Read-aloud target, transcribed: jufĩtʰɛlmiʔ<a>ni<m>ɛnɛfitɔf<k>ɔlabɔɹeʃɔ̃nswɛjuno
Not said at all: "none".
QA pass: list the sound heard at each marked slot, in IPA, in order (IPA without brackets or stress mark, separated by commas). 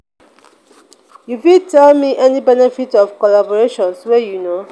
ɛ, b, k